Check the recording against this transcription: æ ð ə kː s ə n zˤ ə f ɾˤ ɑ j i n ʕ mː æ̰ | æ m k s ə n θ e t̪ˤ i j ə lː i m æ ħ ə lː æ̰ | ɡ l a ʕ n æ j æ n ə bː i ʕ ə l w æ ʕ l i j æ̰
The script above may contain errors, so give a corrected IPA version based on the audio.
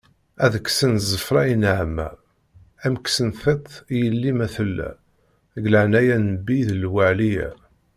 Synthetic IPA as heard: æ ð ə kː s ə n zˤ ə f ɾˤ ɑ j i n ʕ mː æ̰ | æ m k s ə n θ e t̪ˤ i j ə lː i m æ θ ə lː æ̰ | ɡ l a ʕ n æ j æ n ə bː i ð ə l w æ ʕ l i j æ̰